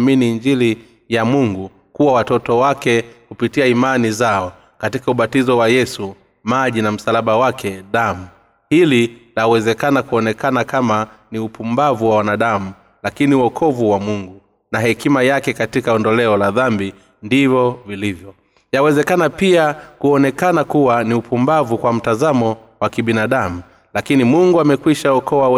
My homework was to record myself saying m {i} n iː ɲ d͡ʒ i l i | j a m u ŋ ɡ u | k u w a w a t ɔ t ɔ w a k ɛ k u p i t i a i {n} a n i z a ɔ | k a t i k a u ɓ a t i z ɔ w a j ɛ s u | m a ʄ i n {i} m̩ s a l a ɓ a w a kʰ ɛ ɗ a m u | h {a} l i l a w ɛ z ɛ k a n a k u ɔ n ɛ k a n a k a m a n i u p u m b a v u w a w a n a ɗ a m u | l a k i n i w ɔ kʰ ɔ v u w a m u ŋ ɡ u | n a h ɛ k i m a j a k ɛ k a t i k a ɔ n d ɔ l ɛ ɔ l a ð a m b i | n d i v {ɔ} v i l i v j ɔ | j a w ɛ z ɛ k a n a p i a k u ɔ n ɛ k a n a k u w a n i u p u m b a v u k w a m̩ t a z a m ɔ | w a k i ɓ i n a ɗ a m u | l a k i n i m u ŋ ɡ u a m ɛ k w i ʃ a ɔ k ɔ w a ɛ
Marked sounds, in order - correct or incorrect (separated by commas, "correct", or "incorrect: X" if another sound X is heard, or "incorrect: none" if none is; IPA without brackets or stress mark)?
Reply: correct, incorrect: m, incorrect: a, incorrect: i, correct